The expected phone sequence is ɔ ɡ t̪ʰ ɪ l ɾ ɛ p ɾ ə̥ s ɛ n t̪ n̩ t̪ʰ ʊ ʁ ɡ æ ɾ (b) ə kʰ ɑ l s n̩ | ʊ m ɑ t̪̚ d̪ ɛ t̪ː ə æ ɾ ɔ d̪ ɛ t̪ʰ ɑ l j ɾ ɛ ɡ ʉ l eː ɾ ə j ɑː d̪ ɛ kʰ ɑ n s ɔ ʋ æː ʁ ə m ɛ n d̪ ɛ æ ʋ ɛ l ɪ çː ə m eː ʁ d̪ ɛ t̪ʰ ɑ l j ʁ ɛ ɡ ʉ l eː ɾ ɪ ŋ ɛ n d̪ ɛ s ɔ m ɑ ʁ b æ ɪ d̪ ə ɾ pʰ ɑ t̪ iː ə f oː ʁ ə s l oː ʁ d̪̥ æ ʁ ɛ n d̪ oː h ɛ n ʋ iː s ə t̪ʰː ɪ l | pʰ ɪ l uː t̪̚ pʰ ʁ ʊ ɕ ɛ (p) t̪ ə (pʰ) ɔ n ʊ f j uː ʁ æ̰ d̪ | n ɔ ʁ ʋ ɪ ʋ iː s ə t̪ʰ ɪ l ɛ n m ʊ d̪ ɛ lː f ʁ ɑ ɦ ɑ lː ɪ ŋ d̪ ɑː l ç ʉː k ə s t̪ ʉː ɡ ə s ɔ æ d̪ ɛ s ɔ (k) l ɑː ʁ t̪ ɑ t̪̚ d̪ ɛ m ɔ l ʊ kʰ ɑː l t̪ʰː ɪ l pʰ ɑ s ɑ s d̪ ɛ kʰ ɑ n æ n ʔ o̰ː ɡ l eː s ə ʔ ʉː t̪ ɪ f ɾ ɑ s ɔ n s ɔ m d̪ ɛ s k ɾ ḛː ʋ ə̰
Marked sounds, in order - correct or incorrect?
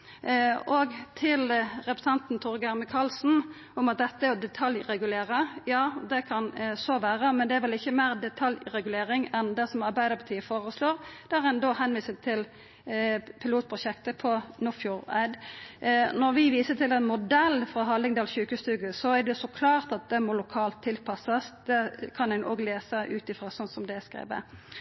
incorrect, incorrect, correct, incorrect

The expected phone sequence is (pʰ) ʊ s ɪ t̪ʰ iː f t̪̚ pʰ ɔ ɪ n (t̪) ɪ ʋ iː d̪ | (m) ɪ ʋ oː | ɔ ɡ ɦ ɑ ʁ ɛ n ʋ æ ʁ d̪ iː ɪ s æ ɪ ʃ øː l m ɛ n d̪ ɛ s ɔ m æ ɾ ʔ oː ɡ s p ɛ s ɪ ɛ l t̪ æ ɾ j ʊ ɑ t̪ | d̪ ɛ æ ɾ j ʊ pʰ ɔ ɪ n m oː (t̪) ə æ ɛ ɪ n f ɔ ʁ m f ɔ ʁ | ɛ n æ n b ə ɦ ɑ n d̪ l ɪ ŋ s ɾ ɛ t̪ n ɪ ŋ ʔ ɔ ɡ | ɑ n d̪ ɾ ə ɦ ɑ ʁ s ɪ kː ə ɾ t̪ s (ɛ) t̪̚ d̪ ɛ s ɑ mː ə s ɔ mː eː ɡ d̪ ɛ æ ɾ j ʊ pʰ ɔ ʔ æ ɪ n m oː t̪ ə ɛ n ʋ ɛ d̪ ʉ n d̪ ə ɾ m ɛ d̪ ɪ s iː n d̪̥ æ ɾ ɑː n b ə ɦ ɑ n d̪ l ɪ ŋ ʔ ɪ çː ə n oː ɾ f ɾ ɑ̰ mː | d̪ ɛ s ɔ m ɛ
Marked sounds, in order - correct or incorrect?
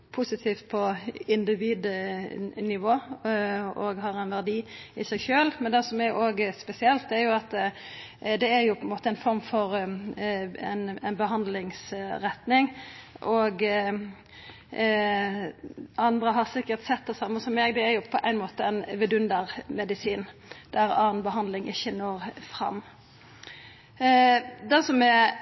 correct, incorrect, incorrect, correct, correct

